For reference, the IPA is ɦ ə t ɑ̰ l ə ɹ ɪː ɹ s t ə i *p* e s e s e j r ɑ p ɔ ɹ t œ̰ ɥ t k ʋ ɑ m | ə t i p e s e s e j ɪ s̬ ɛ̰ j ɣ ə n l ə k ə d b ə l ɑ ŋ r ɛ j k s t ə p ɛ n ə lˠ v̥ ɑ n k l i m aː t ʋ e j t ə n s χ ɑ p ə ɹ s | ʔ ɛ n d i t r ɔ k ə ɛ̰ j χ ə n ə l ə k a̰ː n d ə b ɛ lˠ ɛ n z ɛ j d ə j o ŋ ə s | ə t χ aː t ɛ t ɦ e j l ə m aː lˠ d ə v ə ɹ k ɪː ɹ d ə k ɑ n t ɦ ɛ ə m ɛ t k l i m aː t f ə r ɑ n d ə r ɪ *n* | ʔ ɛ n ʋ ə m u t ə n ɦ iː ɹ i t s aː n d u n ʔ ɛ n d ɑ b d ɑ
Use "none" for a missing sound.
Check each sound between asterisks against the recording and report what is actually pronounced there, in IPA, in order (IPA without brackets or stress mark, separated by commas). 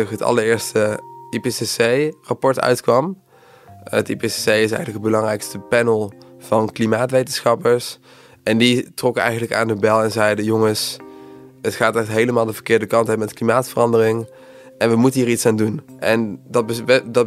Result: p, ŋ